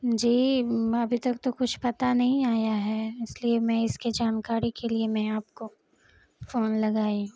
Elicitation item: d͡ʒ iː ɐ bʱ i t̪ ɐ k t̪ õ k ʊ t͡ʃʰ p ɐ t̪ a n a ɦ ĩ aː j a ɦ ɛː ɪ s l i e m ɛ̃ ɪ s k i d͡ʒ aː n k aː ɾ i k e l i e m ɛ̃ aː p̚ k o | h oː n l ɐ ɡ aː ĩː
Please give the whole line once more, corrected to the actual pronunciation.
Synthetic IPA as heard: d͡ʒ iː ɐ bʱ i t̪ ɐ k t̪ o k ʊ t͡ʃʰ p ɐ t̪ a n ɐ ɦ ĩ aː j a ɦ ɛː ɪ s l i e m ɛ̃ ɪ s k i d͡ʒ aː n k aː ɾ i k e l i e m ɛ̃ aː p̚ k o | f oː n l ɐ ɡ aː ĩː